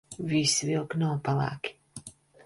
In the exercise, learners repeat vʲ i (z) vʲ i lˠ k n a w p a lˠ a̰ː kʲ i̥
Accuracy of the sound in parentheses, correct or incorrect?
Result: incorrect